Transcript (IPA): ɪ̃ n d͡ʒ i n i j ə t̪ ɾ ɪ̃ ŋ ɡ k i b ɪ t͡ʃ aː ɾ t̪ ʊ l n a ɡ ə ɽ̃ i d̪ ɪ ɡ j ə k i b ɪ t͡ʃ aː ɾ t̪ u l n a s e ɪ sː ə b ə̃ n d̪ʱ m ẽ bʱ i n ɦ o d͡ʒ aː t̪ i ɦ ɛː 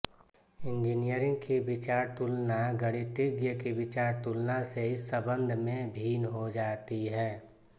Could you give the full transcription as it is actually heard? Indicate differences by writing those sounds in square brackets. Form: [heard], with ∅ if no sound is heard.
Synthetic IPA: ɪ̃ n d͡ʒ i n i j ə [∅] ɾ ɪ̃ ŋ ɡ k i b ɪ t͡ʃ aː ɾ t̪ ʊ l n a ɡ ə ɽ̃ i [t̪] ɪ ɡ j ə k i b ɪ t͡ʃ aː ɾ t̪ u l n a s e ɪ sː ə b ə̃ n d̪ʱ m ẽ bʱ [iː] n ɦ o d͡ʒ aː t̪ i ɦ ɛː